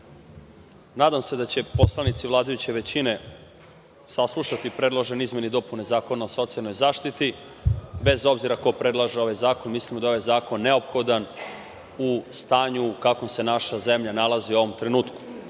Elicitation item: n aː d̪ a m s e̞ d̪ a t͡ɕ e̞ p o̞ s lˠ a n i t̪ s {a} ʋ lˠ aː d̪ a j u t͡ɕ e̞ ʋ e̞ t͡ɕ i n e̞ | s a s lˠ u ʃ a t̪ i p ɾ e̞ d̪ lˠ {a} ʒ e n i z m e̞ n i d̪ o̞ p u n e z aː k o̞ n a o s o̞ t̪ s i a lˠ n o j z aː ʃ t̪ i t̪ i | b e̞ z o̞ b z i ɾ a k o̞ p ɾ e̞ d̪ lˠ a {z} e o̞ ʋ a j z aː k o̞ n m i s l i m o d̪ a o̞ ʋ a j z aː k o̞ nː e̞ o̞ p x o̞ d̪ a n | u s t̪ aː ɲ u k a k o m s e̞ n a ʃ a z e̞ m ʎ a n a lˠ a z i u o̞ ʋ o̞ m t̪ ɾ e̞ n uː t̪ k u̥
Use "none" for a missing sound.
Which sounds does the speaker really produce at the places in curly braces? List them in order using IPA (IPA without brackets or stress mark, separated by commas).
i, a, ʒ